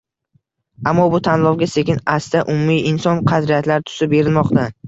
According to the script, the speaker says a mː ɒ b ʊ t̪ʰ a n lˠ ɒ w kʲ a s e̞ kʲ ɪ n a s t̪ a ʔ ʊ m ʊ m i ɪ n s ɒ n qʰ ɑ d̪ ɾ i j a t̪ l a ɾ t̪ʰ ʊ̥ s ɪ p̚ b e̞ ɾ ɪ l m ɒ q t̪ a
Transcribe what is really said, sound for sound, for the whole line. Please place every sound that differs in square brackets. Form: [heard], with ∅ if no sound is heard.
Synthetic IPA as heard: a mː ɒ b ʊ t̪ʰ a n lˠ ɒ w [ɡʲ] a s e̞ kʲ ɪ n a s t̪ a ʔ ʊ m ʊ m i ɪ n s ɒ n qʰ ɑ d̪ ɾ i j a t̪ l a ɾ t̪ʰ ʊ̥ s ɪ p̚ b e̞ ɾ ɪ l m ɒ q t̪ a